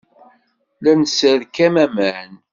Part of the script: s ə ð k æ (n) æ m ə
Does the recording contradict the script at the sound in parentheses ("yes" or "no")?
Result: yes